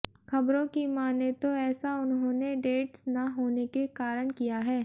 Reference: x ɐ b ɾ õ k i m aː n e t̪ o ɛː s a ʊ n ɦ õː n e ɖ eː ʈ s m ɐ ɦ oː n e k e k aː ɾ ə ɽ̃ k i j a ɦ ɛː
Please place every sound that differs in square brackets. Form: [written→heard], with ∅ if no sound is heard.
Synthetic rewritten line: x ɐ b ɾ õ k i m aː n e t̪ o ɛː s a ʊ n ɦ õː n e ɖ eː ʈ s [m→n] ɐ ɦ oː n e k e k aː ɾ ə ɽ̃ k i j a ɦ ɛː